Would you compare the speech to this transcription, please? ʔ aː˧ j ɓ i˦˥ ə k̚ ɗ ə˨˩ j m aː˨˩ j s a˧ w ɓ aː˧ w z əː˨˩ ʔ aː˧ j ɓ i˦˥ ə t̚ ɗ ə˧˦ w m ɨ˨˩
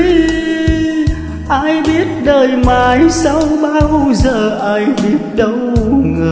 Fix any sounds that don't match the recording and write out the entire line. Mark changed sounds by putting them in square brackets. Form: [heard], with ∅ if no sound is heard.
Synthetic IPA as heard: ʔ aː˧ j ɓ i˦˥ ə [t̚] ɗ [əː˨˩] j m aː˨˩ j s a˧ w ɓ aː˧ w z əː˨˩ ʔ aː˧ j ɓ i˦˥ ə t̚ ɗ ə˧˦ w [ŋ] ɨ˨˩